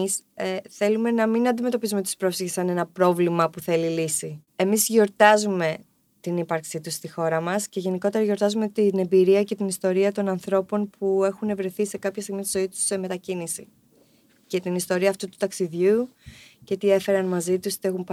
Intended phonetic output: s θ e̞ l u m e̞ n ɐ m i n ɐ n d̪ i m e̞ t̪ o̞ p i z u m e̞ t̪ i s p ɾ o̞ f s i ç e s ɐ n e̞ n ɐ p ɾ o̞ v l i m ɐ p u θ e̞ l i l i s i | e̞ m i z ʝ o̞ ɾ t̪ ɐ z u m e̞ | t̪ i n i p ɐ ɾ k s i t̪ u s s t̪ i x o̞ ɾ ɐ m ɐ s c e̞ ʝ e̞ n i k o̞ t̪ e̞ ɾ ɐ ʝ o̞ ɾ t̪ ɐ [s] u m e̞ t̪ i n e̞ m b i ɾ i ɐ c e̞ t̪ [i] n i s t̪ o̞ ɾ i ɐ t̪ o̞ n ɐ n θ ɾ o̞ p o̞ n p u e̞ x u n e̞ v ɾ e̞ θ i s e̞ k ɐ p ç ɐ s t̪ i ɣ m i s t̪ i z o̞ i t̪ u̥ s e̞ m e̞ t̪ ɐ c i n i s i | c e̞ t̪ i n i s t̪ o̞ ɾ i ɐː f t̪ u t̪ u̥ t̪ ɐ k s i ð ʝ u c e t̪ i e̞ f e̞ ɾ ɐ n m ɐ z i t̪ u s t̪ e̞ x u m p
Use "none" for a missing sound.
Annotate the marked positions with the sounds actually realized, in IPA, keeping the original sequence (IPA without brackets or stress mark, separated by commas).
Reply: z, i